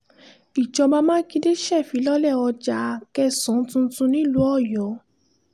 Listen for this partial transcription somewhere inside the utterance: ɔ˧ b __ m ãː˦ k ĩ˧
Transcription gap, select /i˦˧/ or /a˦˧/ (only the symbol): a˦˧